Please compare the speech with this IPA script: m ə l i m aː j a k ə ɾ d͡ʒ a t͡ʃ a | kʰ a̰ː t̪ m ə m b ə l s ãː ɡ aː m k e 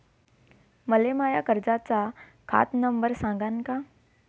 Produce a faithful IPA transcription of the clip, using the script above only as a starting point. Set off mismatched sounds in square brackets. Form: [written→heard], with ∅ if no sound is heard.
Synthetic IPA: m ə l [i→e] m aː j a k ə ɾ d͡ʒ a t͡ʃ a | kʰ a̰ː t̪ [m→n] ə m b ə [l→ɾ] s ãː ɡ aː [m→n] k [e→a]